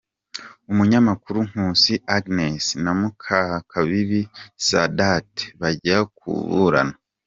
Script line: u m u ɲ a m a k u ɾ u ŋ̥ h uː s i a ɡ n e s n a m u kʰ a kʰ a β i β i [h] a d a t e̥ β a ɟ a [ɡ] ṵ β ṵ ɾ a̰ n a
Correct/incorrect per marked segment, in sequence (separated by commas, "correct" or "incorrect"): incorrect, incorrect